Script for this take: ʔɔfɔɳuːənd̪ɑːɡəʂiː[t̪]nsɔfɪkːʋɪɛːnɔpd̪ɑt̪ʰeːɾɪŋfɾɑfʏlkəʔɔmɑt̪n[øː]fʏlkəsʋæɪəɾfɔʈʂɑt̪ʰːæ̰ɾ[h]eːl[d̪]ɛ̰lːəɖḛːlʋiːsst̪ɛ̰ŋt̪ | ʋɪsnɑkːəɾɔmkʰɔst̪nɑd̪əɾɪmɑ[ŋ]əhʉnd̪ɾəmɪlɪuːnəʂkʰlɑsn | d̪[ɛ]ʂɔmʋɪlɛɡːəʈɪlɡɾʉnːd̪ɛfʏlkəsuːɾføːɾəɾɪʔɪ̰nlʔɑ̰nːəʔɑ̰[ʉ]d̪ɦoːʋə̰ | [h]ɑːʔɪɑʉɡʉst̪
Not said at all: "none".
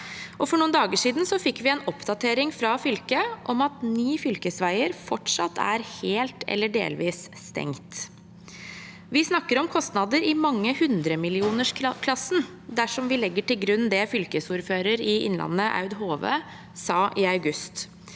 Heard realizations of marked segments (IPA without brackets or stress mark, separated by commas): d̪, yː, h, t̪, ŋː, æ, ʉ, s